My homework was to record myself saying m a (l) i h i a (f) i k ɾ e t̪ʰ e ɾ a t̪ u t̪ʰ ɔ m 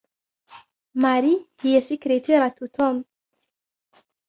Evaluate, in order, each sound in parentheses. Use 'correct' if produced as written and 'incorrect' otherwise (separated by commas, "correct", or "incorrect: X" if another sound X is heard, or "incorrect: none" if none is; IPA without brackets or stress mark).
incorrect: ɾ, incorrect: s